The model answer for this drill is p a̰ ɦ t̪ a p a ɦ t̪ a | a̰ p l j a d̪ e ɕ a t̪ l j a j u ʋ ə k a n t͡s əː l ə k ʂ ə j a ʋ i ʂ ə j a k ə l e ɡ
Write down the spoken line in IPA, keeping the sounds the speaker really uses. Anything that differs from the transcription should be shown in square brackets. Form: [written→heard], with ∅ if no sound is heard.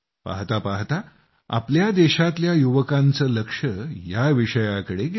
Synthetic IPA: p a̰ ɦ t̪ a p a ɦ t̪ a | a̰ p l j a d̪ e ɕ a t̪ l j a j u ʋ ə k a n t͡s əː l ə k ʂ ə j a ʋ i ʂ ə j a k ə [l→ɽ] e ɡ